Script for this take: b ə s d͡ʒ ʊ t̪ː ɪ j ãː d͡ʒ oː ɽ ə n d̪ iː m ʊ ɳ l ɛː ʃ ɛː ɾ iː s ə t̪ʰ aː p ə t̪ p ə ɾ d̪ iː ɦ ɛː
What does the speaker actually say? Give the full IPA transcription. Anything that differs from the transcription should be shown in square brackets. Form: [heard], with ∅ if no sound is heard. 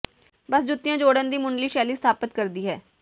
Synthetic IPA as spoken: b ə s d͡ʒ ʊ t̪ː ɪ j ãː d͡ʒ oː ɽ ə n d̪ iː m ʊ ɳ l [iː] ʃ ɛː [l] iː s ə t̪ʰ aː p ə t̪ [k] ə ɾ d̪ iː ɦ ɛː